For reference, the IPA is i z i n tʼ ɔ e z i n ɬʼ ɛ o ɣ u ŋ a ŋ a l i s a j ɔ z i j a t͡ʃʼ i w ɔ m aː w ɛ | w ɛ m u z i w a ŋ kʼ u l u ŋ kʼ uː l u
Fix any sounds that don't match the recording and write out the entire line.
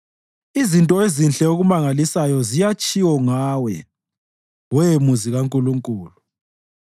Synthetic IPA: i z i n tʼ ɔ e z i n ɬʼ ɛ o ɣ u m a ŋ a l i s a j ɔ z i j a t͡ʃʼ i w ɔ ŋ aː w ɛ | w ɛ m u z i ɣ a ŋ kʼ u l u ŋ kʼ uː l u